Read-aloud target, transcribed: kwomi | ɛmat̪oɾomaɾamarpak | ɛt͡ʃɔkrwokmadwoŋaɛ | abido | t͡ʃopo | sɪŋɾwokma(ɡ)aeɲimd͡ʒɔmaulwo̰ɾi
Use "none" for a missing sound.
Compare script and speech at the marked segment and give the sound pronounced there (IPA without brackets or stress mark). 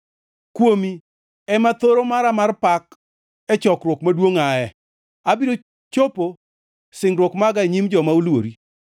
ɡ